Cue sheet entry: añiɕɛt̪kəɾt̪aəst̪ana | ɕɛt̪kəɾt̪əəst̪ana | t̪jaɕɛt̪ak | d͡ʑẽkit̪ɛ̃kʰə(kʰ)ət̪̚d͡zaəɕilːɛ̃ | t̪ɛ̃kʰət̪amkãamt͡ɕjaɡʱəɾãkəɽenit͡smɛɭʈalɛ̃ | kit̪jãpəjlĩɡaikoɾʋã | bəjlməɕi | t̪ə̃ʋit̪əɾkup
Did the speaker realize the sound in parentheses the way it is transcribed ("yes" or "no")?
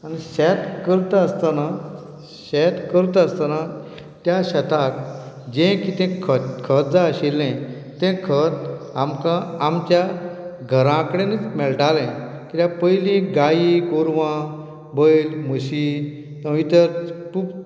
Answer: yes